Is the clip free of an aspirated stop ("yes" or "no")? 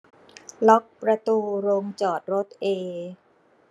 yes